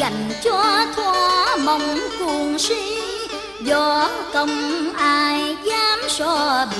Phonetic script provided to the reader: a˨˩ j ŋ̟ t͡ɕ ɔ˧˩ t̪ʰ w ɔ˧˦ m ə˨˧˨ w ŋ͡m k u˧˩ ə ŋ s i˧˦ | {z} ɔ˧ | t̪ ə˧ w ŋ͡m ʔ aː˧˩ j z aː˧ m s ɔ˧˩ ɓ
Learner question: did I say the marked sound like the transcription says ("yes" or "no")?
yes